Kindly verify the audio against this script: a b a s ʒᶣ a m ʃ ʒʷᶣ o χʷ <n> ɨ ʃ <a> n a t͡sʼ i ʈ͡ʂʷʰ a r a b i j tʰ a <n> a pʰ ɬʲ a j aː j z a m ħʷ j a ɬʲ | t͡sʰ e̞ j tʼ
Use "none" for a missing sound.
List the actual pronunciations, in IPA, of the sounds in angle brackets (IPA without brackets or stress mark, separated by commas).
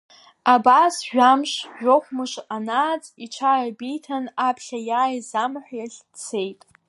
m, a, n